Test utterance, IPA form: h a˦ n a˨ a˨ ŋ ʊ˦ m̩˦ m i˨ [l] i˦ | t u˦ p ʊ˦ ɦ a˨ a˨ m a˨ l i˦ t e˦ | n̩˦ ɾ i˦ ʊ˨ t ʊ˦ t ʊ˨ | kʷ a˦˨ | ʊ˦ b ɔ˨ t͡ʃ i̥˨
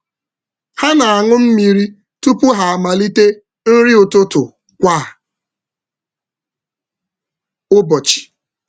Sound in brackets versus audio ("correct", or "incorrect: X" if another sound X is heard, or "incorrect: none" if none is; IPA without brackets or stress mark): incorrect: ɾ